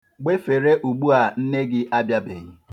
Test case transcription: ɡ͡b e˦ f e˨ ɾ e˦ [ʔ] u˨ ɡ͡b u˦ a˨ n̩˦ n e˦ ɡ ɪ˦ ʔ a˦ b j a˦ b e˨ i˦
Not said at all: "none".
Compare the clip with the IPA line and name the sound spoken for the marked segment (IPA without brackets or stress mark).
ʔ